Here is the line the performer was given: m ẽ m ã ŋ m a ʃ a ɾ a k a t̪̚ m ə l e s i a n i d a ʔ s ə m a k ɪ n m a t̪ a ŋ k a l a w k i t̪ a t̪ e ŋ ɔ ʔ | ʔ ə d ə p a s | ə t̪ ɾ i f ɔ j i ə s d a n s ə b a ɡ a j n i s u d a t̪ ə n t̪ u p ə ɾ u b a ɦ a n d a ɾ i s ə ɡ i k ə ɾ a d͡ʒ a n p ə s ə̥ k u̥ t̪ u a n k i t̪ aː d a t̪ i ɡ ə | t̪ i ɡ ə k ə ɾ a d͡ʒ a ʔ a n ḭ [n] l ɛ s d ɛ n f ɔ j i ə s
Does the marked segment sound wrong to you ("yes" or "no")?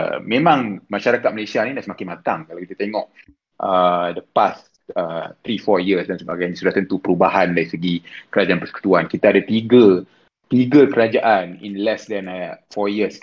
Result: no